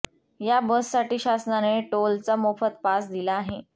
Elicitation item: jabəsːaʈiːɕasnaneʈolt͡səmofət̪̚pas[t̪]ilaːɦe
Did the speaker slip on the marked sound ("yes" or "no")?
yes